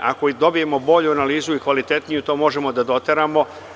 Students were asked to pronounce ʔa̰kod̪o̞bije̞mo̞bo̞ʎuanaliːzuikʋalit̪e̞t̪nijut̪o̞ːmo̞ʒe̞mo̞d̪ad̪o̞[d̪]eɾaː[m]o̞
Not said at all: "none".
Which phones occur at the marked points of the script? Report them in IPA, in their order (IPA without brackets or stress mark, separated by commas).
t̪, m